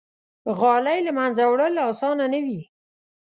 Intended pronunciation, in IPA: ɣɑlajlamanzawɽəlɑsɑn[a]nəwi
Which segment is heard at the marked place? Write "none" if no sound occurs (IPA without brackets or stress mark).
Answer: a